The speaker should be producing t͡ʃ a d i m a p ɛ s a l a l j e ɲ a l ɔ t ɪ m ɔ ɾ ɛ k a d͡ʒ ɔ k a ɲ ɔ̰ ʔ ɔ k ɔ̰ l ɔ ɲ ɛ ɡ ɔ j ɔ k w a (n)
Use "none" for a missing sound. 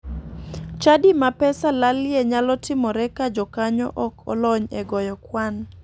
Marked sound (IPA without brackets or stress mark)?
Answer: n